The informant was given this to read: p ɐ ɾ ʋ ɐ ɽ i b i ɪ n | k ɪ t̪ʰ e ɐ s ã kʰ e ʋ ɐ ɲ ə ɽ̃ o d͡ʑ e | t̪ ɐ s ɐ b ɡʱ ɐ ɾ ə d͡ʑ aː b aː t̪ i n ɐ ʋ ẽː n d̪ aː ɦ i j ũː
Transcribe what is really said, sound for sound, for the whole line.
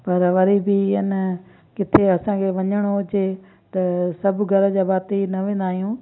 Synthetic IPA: p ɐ ɾ ʋ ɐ ɾ i b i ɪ n | k ɪ t̪ʰ e ɐ s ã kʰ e ʋ ɐ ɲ ə ɽ̃ o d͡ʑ e | t̪ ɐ s ɐ b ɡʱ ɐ ɾ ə d͡ʑ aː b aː t̪ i n ɐ ʋ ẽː n d̪ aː ɦ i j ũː